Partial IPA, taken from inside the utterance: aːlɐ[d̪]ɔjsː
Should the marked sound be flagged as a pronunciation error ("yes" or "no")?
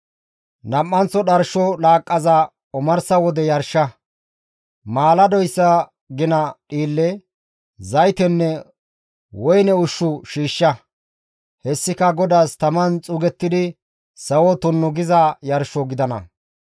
no